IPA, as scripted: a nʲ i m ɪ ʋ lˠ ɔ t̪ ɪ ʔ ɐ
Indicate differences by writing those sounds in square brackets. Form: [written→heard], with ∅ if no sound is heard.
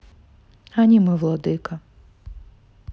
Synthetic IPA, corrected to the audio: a nʲ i m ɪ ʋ lˠ ɔ [t̪→d̪] ɪ [ʔ→k] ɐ